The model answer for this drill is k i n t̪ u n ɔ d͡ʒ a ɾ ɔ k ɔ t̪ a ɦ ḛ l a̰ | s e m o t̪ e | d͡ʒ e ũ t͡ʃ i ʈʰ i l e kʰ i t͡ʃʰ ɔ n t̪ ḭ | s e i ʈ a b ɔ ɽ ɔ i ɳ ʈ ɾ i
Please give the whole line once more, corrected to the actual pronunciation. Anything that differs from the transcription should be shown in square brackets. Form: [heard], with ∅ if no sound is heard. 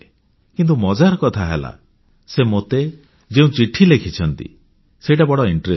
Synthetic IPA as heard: k i n t̪ u [m] ɔ d͡ʒ a ɾ ɔ k ɔ [t̪ʰ] a ɦ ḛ l a̰ | s e m o t̪ e | d͡ʒ e ũ t͡ʃ i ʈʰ i l e kʰ i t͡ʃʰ ɔ n t̪ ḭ | s e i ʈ a b ɔ ɽ ɔ i ɳ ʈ ɾ [e]